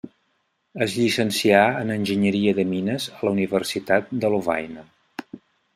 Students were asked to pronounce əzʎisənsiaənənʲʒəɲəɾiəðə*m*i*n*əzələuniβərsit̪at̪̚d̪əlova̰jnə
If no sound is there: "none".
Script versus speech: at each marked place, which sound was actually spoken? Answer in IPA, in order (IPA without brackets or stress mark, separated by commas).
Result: m, n